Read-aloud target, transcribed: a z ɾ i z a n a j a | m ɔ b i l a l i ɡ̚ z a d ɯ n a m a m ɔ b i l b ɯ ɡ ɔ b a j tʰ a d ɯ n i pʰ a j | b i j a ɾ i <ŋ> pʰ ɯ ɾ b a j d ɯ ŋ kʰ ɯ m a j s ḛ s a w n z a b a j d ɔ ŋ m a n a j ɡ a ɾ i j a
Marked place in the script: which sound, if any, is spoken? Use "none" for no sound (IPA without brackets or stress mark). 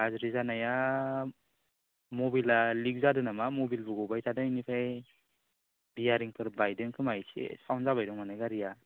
ŋ